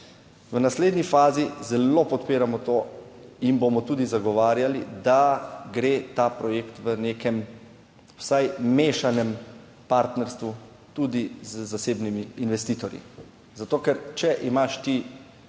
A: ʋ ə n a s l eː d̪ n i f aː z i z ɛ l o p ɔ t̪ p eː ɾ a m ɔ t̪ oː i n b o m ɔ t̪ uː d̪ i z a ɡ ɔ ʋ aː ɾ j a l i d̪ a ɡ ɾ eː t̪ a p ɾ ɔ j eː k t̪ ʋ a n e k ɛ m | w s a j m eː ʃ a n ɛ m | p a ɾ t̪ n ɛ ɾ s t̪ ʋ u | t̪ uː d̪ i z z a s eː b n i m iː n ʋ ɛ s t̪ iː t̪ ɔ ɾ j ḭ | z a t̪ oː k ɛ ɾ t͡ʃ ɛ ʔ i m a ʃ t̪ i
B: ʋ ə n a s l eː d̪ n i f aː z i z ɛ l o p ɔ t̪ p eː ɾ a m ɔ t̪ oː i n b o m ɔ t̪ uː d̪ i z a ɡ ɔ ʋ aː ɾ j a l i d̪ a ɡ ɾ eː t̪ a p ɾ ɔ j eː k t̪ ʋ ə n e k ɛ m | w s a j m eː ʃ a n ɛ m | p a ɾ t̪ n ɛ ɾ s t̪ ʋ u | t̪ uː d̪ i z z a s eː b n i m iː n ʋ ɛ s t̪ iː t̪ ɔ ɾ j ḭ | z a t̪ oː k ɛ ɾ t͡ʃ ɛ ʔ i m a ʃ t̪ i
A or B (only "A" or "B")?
B